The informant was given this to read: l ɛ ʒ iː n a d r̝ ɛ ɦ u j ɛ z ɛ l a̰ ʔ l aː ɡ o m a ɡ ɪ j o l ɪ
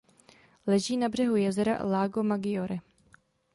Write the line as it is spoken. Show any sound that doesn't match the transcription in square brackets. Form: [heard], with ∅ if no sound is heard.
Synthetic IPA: l ɛ ʒ iː n a [b] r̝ ɛ ɦ u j ɛ z ɛ [ɾ] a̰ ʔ l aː ɡ o m a ɡ ɪ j o [ɾ] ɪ